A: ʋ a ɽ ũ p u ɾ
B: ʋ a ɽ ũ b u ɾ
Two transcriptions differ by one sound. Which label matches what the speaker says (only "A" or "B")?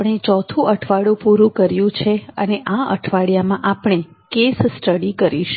A